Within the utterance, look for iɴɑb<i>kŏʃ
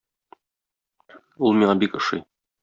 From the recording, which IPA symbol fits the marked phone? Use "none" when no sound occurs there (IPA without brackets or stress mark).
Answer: i